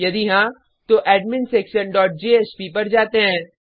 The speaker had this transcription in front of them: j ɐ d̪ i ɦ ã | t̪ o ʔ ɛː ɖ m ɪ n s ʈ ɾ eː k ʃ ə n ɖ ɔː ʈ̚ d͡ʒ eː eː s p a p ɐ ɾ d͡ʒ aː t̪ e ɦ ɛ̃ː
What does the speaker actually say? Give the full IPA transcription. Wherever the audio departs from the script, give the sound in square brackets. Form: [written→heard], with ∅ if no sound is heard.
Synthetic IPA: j ɐ d̪ i ɦ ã | t̪ o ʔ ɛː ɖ m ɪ n s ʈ ɾ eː k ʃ ə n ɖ ɔː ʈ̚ d͡ʒ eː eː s p [a→i] p ɐ ɾ d͡ʒ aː t̪ e ɦ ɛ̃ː